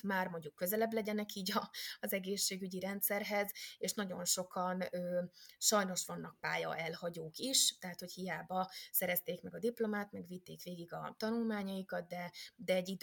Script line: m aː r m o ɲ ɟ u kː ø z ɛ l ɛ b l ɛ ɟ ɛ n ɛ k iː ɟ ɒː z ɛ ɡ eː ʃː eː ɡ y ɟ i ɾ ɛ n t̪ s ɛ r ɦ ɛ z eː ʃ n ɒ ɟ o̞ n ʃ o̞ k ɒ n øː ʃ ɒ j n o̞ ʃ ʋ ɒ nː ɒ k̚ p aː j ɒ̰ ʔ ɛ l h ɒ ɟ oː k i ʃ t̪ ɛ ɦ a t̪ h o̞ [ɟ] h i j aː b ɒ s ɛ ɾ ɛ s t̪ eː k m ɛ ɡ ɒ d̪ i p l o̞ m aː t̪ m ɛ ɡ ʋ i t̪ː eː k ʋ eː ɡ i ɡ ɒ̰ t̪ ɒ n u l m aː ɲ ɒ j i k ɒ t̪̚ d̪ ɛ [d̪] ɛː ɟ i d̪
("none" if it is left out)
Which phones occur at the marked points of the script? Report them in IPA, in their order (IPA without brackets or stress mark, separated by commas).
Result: c, d̪